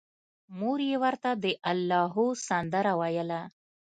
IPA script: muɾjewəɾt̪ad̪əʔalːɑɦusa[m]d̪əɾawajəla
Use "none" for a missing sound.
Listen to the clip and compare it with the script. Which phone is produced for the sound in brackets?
n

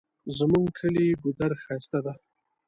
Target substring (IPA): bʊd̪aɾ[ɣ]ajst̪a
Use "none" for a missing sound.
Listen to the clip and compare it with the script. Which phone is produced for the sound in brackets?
x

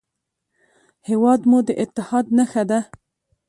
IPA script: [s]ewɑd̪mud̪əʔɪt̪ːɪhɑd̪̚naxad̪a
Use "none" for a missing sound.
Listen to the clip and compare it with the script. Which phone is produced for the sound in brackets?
h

